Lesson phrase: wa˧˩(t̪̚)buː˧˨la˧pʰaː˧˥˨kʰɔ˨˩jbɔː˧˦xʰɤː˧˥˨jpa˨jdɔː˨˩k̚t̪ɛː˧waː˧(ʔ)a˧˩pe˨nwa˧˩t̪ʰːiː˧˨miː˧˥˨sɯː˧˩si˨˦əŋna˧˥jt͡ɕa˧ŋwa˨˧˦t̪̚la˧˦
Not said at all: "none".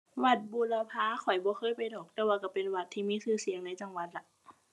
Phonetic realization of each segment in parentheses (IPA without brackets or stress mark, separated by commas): t̪̚, k